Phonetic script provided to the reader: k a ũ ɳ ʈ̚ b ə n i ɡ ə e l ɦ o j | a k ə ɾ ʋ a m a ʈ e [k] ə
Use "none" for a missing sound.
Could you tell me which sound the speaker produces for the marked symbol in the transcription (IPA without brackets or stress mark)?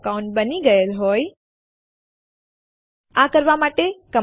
k